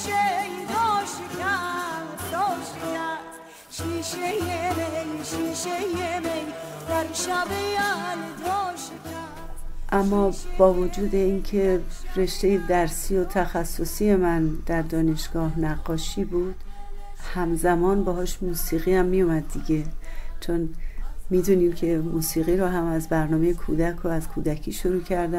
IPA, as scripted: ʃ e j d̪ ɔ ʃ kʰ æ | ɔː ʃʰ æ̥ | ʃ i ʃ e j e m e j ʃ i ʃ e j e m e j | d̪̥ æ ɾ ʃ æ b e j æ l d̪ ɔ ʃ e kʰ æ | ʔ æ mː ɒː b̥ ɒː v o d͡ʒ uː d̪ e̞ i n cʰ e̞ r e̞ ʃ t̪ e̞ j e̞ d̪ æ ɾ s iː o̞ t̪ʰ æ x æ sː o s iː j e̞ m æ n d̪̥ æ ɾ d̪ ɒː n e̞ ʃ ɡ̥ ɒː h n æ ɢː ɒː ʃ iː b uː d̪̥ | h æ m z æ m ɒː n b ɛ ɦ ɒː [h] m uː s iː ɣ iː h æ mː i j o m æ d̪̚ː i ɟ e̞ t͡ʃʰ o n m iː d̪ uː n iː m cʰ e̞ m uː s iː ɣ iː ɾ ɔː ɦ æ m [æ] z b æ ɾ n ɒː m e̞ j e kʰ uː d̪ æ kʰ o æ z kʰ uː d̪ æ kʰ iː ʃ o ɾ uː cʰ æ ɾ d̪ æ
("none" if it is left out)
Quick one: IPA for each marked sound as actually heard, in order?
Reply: ʃ, æ

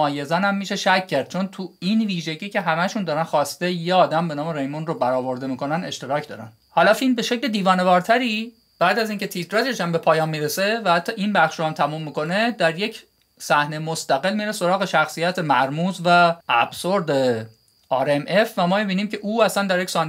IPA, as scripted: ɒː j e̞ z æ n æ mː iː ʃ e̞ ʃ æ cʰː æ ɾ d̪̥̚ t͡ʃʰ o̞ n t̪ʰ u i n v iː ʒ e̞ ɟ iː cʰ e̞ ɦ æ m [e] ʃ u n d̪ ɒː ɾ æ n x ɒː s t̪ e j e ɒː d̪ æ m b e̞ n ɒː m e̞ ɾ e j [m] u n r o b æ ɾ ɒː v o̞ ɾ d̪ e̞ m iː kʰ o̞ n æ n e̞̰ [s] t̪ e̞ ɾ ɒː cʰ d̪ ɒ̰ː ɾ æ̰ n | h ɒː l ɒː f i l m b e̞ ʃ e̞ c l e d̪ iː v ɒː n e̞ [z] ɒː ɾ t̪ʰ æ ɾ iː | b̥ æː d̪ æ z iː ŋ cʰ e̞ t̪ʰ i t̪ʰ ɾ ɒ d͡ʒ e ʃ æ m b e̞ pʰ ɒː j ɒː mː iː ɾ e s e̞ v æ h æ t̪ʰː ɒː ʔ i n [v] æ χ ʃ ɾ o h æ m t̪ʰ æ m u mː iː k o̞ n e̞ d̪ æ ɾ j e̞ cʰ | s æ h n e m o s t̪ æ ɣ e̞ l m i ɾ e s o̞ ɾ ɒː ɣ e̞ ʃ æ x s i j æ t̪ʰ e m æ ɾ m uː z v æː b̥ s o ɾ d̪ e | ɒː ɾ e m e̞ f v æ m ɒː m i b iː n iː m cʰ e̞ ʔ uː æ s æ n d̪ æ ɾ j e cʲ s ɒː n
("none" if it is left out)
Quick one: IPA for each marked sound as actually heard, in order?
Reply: æ, m, ʃ, v, b

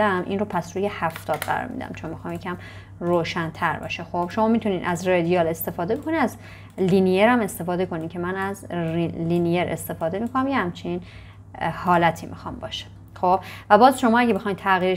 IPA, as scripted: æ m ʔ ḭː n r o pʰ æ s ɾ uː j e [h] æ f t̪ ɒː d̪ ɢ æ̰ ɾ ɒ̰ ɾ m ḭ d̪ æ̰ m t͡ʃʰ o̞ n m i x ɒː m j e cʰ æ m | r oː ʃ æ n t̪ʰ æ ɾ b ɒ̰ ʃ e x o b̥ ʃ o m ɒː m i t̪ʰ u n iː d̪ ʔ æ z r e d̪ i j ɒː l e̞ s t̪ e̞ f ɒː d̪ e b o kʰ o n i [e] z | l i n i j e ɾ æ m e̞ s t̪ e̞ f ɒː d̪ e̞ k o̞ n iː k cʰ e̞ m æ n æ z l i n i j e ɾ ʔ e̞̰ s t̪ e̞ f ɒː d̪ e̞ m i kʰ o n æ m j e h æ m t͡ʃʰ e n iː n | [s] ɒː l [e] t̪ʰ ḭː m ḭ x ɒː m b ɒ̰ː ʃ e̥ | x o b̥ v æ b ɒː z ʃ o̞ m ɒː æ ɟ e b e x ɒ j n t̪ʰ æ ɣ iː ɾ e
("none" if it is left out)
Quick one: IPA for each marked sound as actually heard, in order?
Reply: h, æ, h, æ

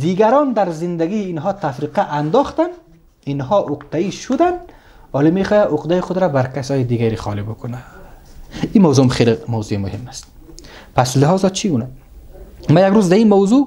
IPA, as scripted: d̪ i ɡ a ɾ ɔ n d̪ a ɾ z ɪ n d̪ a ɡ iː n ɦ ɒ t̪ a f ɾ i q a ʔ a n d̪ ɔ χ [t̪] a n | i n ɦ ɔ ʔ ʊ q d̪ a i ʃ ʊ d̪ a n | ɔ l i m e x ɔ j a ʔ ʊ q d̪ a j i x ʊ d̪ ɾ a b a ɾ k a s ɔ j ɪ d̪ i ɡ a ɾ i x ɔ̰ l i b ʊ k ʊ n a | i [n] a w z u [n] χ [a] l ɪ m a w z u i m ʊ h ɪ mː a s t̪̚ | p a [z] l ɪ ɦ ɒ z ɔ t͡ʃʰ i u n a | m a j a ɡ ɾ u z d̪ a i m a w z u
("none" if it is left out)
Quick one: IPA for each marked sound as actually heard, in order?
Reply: t̪, m, m, e, s

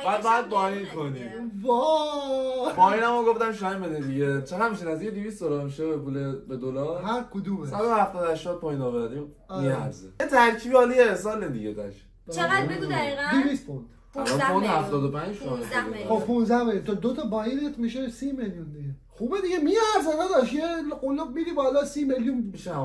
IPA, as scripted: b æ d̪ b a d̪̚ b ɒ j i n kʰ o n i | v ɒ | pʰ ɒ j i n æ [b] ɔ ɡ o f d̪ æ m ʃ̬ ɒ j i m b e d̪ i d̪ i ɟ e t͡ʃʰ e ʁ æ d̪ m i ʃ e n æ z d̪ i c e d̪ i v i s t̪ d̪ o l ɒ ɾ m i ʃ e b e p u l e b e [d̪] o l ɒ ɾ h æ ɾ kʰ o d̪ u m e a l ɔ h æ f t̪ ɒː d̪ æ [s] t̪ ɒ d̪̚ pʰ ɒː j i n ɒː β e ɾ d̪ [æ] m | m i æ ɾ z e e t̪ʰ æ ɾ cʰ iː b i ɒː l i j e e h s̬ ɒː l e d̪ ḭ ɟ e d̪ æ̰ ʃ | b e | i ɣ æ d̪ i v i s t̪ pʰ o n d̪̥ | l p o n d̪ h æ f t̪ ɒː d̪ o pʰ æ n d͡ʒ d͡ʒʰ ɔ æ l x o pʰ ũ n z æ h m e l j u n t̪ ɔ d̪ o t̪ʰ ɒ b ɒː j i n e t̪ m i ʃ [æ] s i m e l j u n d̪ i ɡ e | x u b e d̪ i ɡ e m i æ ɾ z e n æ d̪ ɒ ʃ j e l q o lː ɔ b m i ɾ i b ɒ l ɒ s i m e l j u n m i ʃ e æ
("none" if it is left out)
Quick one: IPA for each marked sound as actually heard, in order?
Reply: m, d̪, ʃ, i, e

